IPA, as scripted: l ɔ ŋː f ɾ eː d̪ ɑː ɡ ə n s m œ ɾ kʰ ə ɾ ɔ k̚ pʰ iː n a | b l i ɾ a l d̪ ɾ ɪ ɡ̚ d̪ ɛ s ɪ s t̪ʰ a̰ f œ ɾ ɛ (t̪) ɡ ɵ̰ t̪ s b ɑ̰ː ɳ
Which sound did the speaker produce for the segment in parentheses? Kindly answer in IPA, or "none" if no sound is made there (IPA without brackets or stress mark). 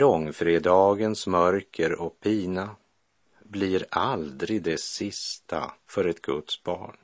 t̪